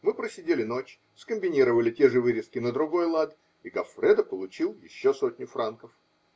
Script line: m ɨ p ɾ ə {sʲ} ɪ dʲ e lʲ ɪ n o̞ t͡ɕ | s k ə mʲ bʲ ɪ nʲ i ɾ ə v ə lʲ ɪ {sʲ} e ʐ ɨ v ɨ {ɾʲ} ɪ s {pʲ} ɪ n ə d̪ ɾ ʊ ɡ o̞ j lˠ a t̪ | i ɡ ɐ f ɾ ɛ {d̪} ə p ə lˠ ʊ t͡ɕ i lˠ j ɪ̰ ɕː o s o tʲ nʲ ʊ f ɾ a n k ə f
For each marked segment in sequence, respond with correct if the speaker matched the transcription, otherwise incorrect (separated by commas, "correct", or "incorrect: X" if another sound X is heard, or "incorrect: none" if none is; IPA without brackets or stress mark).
correct, incorrect: tʲ, correct, incorrect: kʲ, correct